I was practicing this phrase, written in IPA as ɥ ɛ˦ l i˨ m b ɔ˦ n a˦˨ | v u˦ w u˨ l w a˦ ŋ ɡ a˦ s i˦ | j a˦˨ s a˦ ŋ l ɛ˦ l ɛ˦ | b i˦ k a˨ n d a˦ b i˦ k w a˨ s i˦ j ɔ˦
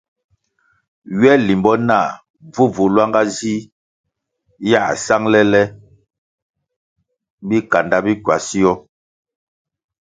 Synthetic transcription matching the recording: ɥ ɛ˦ l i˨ m b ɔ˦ n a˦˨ | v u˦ v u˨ l w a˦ ŋ ɡ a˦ z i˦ | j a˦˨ s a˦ ŋ l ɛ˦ l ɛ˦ | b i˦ k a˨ n d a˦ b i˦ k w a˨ s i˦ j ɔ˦